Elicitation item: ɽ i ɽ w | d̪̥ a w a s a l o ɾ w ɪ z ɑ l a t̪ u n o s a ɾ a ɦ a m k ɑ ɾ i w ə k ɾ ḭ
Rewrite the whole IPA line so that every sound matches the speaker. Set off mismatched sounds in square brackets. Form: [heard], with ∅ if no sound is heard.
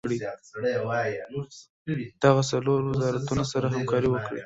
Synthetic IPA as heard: ɽ i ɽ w | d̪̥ a [ɣ] a s a l o ɾ w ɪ z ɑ [ɾ] a t̪ u n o s a ɾ a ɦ a m k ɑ ɾ i w ə k [ɽ] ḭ